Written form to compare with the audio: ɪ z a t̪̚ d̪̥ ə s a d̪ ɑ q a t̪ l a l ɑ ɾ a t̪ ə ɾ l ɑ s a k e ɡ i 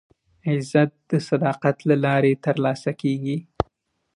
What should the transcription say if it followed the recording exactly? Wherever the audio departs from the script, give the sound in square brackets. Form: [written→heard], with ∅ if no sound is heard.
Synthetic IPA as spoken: ɪ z a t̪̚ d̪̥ ə s a d̪ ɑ q a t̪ l a l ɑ ɾ [a→e] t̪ ə ɾ l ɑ s a k e ɡ i